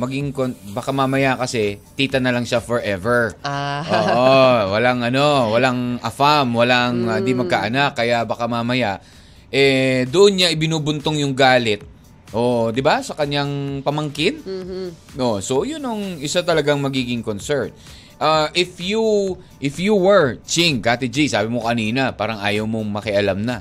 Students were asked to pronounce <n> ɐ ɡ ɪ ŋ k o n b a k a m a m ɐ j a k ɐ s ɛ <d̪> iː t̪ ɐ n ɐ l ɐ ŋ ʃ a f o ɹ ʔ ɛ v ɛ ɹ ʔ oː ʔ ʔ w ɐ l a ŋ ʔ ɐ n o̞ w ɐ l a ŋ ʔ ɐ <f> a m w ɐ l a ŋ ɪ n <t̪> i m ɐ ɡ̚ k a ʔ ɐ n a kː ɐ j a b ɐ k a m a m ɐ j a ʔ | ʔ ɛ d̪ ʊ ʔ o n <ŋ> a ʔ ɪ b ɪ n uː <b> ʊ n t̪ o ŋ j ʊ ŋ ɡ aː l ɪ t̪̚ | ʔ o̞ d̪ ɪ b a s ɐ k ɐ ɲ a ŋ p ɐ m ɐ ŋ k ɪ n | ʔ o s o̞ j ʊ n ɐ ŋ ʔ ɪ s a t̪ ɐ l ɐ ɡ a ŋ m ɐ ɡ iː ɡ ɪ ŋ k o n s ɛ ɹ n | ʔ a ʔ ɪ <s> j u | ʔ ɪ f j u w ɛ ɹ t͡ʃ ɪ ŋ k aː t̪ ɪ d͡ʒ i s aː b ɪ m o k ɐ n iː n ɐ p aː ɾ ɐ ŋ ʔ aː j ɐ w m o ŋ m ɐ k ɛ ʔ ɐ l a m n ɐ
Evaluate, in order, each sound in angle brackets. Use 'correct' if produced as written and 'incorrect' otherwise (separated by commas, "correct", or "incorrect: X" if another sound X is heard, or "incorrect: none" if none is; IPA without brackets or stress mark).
incorrect: m, incorrect: t̪, correct, incorrect: d̪, incorrect: ɲ, correct, incorrect: f